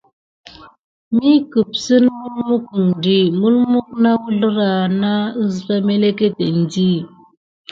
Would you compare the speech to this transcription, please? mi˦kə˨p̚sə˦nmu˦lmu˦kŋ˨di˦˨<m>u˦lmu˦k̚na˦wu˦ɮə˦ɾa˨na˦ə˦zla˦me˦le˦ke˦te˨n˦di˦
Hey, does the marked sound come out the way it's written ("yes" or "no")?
yes